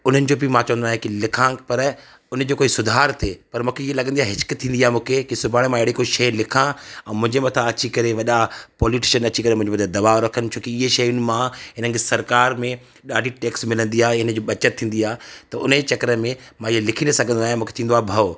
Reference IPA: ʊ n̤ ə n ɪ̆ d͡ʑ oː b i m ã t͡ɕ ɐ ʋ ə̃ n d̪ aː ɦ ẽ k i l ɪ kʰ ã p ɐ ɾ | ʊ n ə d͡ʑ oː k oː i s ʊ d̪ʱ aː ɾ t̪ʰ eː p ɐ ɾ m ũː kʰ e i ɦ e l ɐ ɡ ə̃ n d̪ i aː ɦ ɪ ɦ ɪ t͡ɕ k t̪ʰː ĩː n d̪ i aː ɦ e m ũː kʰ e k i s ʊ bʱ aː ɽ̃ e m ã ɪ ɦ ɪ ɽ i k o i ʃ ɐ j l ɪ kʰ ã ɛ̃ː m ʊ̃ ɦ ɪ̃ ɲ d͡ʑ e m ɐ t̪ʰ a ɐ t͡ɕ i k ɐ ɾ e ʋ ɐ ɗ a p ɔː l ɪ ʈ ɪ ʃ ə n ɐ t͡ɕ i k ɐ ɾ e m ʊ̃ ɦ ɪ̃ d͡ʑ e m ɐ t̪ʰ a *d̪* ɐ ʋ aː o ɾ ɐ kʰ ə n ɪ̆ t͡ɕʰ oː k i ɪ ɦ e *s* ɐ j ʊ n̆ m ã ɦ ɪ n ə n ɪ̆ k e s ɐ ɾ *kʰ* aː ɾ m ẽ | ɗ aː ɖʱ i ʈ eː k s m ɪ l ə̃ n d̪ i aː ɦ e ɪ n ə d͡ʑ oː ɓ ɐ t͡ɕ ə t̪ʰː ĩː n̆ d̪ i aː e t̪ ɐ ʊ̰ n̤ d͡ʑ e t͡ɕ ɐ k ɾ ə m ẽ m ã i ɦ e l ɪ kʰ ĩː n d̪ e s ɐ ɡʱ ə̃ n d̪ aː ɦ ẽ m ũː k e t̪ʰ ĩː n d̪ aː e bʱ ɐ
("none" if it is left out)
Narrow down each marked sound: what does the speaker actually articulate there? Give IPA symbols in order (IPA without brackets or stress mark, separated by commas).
d̪, ʃ, k